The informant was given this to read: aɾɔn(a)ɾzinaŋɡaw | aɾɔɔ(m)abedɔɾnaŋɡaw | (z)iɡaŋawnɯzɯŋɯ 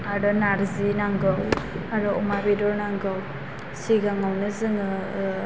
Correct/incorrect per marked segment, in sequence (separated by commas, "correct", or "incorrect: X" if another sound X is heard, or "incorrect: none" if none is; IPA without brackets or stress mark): correct, correct, incorrect: s